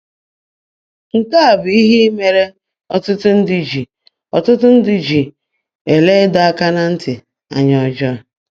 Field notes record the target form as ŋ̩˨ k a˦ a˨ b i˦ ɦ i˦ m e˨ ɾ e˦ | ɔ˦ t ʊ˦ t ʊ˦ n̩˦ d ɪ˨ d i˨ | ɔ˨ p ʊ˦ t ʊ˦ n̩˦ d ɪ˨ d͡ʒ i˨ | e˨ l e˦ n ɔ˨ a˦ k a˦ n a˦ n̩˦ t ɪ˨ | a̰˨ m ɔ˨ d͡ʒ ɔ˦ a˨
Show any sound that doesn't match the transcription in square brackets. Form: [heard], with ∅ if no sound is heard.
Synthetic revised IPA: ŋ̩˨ k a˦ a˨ b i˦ ɦ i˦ m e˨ ɾ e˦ | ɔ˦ t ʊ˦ t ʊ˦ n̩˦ d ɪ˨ [d͡ʒ] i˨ | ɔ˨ [t] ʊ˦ t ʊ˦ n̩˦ d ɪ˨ d͡ʒ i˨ | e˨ l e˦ [d] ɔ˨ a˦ k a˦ n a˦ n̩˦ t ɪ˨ | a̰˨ [ɲ] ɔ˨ d͡ʒ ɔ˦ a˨

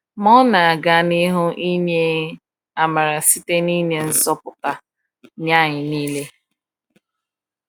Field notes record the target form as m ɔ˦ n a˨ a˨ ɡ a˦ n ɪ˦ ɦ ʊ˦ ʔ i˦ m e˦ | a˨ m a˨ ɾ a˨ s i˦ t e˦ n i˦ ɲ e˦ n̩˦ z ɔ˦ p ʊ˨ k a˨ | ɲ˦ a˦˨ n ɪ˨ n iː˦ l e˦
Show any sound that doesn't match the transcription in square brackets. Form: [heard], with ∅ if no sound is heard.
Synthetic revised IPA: m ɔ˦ n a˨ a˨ ɡ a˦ n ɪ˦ ɦ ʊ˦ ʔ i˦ [ɲ] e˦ | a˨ m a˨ ɾ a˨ s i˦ t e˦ n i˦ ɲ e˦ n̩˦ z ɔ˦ p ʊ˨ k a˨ | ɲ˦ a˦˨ [ɲ] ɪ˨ n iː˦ l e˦

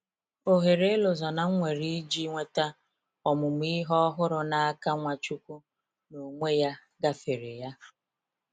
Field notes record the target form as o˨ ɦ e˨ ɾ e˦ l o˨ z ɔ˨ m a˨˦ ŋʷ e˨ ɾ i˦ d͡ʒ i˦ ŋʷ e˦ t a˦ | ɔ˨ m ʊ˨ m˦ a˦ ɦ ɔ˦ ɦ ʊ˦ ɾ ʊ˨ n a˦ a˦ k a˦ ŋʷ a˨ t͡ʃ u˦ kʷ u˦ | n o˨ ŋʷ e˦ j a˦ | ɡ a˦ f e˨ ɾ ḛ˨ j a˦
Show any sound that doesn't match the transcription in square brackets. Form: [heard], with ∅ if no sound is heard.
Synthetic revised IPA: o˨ ɦ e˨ ɾ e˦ l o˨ z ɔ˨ [n] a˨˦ ŋʷ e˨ ɾ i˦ d͡ʒ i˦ ŋʷ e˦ t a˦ | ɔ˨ m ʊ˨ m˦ [i˦] ɦ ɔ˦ ɦ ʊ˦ ɾ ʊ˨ n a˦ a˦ k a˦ ŋʷ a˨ t͡ʃ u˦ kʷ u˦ | n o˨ ŋʷ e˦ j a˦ | ɡ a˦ f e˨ ɾ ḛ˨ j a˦

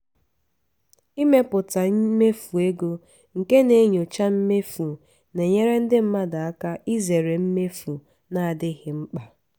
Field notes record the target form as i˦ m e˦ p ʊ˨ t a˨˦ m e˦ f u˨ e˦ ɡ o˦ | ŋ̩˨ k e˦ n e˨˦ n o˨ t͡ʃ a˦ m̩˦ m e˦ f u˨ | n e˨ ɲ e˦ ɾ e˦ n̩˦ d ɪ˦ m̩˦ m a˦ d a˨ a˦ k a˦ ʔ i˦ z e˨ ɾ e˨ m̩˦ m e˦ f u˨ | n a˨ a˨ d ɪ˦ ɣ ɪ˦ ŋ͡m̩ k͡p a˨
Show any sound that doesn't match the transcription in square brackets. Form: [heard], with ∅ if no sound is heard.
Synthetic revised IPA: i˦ m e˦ p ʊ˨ t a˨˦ m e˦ f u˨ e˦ ɡ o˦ | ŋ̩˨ k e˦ n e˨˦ [ɲ] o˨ t͡ʃ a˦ m̩˦ m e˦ f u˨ | n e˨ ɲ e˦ ɾ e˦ n̩˦ d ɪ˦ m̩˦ m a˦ d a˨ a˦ k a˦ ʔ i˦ z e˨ ɾ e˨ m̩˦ m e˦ f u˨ | n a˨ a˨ d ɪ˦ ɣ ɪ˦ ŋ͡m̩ k͡p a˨

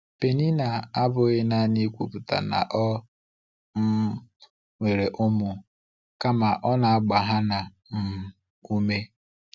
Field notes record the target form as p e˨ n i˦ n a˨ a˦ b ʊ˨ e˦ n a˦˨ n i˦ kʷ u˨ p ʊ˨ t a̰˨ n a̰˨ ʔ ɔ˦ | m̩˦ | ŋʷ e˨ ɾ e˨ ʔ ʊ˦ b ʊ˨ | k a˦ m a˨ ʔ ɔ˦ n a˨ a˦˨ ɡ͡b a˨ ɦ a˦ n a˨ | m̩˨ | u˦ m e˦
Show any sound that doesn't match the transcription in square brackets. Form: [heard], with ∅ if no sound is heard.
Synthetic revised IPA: p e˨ n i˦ n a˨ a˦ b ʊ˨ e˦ n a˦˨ n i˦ kʷ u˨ p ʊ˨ t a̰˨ n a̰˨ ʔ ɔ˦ | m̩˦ | ŋʷ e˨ ɾ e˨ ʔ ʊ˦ [m] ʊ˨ | k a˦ m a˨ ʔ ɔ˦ n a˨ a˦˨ ɡ͡b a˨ ɦ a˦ n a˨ | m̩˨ | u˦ m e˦

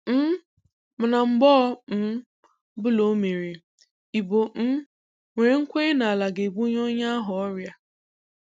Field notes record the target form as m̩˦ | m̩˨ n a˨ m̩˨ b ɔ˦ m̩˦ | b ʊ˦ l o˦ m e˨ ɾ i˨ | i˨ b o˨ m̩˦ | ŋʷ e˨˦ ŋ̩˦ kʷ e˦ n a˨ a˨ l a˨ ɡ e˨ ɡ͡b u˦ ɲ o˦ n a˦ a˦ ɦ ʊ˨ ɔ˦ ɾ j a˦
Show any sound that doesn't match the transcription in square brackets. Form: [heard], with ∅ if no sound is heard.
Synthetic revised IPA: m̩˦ | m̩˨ n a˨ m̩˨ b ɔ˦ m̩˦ | b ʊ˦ l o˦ m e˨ ɾ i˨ | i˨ b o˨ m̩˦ | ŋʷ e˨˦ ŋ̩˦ kʷ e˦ n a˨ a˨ l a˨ ɡ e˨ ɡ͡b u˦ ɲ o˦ [ɲ] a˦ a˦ ɦ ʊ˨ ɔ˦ ɾ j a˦

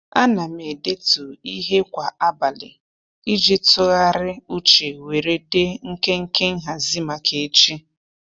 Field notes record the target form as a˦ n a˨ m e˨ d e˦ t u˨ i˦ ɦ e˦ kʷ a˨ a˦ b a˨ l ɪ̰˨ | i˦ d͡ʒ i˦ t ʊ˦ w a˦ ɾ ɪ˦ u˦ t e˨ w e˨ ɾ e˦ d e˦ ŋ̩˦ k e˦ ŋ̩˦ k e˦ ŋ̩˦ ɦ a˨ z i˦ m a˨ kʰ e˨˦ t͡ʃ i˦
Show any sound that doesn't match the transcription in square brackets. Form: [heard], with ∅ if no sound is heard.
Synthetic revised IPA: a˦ n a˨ m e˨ d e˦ t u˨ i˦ ɦ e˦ kʷ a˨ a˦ b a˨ l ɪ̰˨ | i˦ d͡ʒ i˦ t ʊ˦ [ɣ] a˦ ɾ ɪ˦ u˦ [t͡ʃ] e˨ w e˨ ɾ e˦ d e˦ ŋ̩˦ k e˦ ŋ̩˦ k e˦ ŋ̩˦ ɦ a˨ z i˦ m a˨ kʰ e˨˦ t͡ʃ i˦

